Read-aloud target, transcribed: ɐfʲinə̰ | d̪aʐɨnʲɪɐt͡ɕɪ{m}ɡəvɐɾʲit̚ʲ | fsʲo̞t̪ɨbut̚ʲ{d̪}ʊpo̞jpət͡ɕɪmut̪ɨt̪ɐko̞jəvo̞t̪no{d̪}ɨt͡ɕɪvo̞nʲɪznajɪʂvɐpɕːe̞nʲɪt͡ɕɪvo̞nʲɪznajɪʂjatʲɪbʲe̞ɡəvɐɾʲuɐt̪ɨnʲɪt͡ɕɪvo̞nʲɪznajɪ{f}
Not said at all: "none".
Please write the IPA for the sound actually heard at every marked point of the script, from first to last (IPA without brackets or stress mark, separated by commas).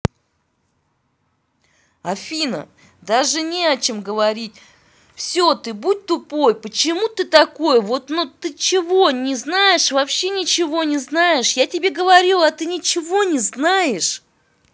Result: m, t̪, t̪, ʂ